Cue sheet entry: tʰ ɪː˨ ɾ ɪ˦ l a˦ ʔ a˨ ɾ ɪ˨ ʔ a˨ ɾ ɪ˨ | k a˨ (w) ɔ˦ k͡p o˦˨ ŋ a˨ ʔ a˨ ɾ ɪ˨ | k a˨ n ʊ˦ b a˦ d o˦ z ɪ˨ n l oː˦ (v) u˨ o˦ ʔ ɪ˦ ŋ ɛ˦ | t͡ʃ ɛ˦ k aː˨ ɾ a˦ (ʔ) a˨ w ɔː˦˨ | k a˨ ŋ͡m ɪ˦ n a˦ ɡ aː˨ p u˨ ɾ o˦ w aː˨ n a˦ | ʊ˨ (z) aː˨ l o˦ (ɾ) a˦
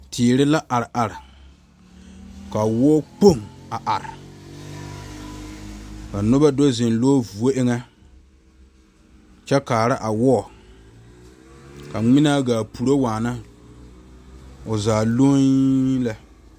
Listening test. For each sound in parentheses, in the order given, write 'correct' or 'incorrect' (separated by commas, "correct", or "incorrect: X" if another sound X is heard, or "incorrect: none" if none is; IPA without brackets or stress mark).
correct, correct, correct, correct, incorrect: l